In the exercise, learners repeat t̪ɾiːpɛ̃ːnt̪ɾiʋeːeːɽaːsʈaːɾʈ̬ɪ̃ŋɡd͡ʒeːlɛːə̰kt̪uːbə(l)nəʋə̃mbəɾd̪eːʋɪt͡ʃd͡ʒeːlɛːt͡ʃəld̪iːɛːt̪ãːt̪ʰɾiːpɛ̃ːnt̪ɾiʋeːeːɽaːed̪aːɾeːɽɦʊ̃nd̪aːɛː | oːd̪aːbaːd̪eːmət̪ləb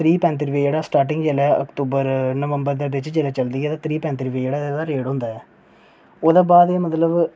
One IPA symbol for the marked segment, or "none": ɾ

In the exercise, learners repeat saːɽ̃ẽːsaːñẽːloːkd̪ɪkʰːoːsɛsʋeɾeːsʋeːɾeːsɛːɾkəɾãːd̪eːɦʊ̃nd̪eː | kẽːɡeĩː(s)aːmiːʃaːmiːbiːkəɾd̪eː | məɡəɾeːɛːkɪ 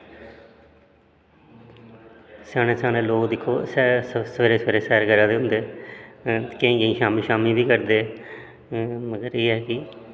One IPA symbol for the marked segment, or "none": ʃ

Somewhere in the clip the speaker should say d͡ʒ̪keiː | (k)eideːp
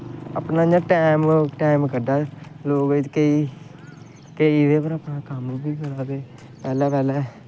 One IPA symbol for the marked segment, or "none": k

